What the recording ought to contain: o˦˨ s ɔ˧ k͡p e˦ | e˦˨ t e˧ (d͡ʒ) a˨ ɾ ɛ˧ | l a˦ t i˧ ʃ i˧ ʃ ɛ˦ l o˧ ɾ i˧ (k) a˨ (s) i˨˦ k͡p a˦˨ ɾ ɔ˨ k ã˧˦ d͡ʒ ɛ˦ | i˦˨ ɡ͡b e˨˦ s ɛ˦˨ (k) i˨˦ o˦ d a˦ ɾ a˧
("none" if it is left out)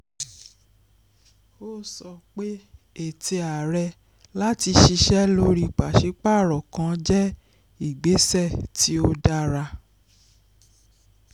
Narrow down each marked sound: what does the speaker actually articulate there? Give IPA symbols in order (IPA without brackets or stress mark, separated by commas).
none, k͡p, ʃ, t